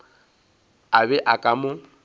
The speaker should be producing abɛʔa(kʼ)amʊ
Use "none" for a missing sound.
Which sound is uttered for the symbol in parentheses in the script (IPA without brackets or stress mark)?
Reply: kʼ